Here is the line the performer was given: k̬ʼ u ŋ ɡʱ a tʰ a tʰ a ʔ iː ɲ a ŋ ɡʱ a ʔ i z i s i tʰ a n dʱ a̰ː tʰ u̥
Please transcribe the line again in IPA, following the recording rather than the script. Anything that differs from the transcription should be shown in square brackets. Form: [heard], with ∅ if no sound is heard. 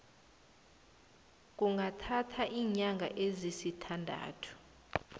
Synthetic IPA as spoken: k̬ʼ u ŋ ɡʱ a tʰ a tʰ a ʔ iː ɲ a ŋ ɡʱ a ʔ [e] z i s i tʰ a n dʱ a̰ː tʰ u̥